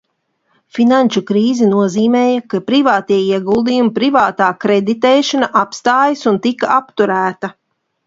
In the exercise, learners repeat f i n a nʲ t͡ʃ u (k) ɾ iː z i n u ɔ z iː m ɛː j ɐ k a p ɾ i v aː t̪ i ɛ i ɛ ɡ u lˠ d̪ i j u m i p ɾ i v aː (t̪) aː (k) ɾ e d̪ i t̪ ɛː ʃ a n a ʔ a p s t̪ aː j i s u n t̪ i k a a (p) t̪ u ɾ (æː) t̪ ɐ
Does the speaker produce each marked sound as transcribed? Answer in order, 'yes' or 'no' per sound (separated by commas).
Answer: yes, yes, yes, yes, yes